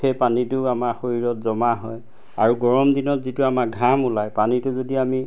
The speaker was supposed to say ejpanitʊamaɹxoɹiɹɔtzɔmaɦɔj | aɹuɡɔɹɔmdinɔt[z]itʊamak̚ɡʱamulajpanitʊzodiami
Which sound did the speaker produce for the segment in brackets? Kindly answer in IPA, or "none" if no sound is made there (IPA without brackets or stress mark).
z